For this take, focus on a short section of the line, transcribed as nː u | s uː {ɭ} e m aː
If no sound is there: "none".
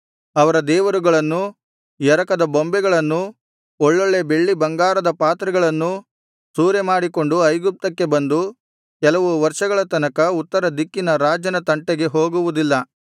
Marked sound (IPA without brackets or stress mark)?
ɾ